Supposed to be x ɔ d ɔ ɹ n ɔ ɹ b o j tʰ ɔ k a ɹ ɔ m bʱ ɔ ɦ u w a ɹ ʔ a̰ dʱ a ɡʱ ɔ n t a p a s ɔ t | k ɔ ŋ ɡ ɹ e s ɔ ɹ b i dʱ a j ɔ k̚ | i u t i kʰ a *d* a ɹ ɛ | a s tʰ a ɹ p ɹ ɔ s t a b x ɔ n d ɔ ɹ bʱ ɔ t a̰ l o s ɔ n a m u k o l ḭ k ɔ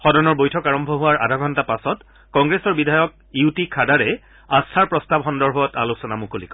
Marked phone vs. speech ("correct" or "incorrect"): correct